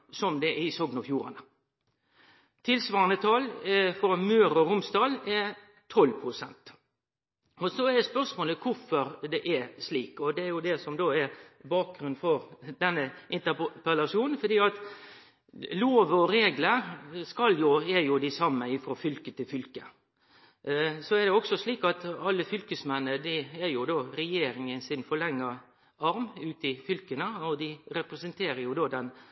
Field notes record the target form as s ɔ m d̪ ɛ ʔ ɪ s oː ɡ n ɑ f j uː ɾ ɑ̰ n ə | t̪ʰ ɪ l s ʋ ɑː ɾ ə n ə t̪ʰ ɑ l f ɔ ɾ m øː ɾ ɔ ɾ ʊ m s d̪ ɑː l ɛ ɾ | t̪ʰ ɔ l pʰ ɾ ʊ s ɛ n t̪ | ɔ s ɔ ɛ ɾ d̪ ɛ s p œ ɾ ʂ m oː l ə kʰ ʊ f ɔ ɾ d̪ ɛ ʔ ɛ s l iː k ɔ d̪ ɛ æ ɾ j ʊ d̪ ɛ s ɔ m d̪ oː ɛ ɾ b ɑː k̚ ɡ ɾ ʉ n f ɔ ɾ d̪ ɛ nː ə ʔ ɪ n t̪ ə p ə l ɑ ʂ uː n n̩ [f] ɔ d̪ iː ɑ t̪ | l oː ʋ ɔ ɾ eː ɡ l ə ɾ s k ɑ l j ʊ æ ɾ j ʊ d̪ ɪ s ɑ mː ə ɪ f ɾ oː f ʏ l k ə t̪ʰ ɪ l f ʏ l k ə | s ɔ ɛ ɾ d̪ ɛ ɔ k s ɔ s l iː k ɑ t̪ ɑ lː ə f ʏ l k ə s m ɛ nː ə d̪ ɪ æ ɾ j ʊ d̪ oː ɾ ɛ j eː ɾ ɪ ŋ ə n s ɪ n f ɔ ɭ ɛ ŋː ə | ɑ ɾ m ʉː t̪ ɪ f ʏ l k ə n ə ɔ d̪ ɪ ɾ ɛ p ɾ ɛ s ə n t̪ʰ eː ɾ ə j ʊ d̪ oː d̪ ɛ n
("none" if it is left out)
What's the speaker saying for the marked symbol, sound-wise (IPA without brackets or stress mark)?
f